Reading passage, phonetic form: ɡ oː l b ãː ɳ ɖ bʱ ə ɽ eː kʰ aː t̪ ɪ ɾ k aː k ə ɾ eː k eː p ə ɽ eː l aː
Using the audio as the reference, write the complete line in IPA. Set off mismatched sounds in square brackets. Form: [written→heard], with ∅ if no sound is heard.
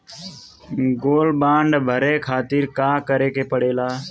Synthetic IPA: ɡ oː l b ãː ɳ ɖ bʱ ə [ɽ→ɾ] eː kʰ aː t̪ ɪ ɾ k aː k ə ɾ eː k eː p ə ɽ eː l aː

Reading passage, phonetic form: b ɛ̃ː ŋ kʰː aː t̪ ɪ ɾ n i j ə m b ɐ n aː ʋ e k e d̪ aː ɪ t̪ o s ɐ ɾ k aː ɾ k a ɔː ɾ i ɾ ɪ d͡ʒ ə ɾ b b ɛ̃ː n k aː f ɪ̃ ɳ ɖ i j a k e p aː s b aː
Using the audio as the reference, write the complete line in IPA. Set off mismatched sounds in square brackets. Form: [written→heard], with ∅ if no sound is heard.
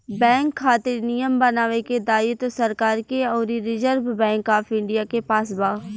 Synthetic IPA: b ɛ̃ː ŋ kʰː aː t̪ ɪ ɾ n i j ə m b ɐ n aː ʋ e k e d̪ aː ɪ t̪ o s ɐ ɾ k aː ɾ k [a→e] ɔː ɾ i ɾ ɪ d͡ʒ ə ɾ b b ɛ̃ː [n→ŋ] k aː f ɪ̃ ɳ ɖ i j a k e p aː s b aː

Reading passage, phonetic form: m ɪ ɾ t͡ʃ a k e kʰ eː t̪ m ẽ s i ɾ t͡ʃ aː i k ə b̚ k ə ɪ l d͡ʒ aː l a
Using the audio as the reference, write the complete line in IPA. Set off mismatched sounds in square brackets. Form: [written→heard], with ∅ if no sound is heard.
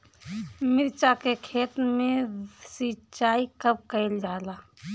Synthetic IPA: m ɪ ɾ t͡ʃ a k e kʰ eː t̪ m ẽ s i [ɾ→∅] t͡ʃ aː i k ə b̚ k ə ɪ l d͡ʒ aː l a

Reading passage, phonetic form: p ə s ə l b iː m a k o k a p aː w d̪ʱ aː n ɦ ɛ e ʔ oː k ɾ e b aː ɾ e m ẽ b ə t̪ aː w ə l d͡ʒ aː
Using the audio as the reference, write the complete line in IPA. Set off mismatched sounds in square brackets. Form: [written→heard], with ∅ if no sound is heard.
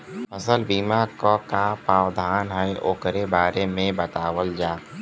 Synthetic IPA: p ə s ə l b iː m a k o k a p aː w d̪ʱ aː n ɦ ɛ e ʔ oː k ɾ e b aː ɾ e m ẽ b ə t̪ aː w ə l d͡ʒ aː

